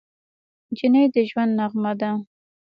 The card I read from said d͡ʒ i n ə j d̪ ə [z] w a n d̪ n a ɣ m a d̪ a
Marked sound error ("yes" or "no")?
yes